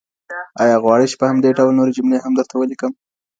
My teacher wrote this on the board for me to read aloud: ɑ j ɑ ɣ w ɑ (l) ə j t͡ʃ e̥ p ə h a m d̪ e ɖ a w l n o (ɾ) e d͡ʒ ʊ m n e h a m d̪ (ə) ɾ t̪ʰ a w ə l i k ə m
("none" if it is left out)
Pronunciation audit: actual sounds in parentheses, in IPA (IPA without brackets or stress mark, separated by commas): ɽ, ɾ, ə